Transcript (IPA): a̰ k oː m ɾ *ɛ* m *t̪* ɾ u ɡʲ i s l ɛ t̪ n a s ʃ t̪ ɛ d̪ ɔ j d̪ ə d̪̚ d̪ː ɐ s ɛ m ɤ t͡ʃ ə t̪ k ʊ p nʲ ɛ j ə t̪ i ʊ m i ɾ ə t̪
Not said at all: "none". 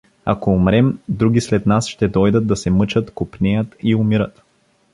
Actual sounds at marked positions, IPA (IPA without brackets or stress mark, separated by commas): ɛ, d̪